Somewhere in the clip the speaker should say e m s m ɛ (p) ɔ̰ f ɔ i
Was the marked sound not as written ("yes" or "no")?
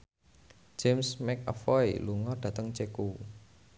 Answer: yes